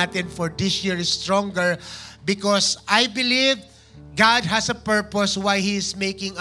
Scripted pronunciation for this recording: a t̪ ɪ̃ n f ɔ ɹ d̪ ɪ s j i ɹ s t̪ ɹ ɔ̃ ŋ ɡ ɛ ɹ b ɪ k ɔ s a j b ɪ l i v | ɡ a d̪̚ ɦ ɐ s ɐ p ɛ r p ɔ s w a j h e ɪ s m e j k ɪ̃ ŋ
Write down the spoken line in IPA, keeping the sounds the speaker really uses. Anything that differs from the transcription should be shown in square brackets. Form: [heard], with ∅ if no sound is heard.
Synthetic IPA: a t̪ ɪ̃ n f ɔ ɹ d̪ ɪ s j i ɹ s t̪ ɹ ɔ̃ ŋ ɡ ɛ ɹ b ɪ k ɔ s a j b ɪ l i v | ɡ a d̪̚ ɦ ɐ s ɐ p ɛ [ɹ] p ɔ s w a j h [i] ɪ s m e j k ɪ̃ ŋ